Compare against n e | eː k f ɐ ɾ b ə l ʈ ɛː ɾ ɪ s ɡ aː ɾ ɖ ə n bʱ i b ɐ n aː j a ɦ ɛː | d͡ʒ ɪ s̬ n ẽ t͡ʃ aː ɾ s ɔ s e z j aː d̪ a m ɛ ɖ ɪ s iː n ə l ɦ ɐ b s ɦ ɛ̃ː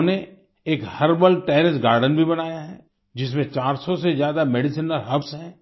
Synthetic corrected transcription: n e | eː k h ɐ ɾ b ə l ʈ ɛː ɾ ɪ s ɡ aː ɾ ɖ ə n bʱ i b ɐ n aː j a ɦ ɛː | d͡ʒ ɪ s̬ m ẽ t͡ʃ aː ɾ s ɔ s e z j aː d̪ a m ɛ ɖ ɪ s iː n ə l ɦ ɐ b s ɦ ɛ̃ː